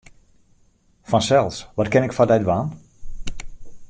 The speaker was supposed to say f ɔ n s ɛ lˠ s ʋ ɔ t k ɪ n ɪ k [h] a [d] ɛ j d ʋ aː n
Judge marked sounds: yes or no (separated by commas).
no, yes